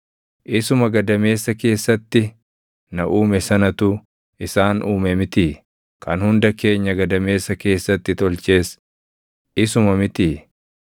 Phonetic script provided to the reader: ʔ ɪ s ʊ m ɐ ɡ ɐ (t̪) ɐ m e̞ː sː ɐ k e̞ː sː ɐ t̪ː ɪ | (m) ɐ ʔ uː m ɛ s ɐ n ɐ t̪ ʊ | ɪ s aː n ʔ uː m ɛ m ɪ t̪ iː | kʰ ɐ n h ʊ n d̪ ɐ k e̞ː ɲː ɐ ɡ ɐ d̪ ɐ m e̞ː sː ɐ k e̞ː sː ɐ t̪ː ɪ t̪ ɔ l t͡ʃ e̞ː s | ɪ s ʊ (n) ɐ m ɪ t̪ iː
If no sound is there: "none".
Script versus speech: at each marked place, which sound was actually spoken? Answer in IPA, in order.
d̪, n, m

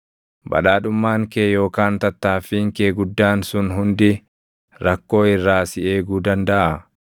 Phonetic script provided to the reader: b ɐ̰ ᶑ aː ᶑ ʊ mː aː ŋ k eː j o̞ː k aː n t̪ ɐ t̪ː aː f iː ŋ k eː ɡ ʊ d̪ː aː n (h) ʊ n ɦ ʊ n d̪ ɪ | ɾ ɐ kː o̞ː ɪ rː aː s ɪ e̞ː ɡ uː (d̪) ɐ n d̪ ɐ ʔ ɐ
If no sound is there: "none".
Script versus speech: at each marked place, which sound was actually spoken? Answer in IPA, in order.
s, d̪

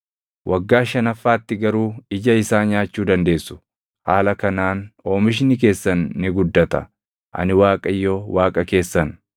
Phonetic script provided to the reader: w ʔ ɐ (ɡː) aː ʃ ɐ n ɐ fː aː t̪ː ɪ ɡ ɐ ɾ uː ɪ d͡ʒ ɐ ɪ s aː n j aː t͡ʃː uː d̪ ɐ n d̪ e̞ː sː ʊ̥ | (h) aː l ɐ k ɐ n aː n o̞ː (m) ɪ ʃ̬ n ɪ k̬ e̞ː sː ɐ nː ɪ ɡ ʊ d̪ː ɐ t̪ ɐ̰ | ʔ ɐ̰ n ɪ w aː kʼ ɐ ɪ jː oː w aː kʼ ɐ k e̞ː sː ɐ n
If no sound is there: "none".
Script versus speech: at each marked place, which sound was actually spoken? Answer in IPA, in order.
ɡː, h, m

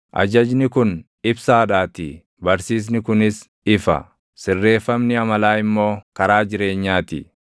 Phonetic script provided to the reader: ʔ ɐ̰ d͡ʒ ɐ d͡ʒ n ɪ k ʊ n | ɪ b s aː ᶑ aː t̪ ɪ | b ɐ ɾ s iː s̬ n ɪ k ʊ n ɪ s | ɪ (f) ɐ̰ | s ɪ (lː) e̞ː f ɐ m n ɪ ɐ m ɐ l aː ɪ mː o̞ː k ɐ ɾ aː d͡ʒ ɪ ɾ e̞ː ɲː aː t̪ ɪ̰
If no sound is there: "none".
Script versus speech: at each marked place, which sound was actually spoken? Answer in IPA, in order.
f, rː

